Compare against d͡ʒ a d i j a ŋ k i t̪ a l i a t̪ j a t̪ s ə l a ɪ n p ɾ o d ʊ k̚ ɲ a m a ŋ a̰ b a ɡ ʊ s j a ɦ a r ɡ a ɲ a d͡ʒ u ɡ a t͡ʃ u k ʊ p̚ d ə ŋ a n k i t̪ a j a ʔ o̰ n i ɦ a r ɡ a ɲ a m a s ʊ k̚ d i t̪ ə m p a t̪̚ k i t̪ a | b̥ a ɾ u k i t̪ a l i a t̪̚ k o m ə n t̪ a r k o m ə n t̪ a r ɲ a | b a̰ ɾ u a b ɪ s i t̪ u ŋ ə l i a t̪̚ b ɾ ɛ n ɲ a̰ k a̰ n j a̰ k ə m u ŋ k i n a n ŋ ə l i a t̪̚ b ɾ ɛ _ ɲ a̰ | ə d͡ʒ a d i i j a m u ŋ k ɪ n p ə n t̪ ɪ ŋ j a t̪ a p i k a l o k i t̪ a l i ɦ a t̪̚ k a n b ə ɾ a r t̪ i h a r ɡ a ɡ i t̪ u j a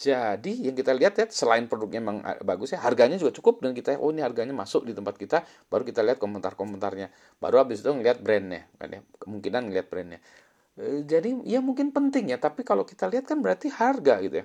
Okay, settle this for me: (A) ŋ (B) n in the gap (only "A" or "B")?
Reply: B